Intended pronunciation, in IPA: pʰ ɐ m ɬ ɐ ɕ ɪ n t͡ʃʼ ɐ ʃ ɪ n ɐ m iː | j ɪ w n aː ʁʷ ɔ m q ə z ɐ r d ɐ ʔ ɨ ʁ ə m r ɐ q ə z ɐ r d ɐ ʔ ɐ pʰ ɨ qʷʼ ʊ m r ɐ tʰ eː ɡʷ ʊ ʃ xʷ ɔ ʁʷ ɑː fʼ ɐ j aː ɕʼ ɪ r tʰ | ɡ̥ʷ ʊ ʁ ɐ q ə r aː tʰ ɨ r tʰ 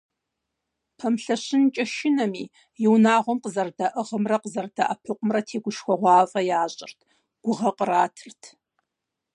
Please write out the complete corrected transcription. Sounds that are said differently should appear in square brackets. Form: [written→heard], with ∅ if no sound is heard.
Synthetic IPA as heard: pʰ ɐ m ɬ ɐ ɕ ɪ n t͡ʃʼ ɐ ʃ ɪ n ɐ m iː | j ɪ w n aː ʁʷ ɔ m q ə z ɐ r d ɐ ʔ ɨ ʁ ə m r ɐ q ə z ɐ r d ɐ ʔ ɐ pʰ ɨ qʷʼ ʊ m r ɐ tʰ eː ɡʷ ʊ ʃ xʷ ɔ ʁʷ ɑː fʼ ɐ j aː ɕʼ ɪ r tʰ | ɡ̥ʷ ʊ ʁ ɐ q ə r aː tʰ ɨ r tʰ

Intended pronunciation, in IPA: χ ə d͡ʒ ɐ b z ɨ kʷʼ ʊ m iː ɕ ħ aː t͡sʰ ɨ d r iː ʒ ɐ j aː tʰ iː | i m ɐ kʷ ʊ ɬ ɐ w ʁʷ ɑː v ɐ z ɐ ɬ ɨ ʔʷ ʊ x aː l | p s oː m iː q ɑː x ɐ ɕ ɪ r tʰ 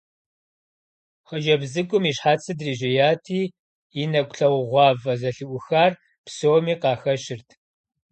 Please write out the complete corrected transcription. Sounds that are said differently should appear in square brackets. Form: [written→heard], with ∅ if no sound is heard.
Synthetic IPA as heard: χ ə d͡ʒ ɐ b z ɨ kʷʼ ʊ m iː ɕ ħ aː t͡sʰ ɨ d r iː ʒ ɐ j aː tʰ iː | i [m→n] ɐ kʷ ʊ ɬ ɐ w ʁʷ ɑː v ɐ z ɐ ɬ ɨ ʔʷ ʊ x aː [l→r] | p s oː m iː q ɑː x ɐ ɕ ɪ r tʰ

